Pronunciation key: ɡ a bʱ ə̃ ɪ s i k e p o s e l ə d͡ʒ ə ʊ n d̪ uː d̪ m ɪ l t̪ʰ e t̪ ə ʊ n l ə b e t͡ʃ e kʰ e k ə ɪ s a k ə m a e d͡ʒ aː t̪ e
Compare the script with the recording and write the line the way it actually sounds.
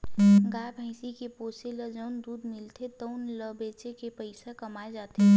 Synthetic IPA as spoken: ɡ a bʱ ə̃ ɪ s i k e p o s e l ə d͡ʒ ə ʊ n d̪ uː d̪ m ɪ l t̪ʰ e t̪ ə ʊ n l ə b e t͡ʃ e k e p ə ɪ s a k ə m a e d͡ʒ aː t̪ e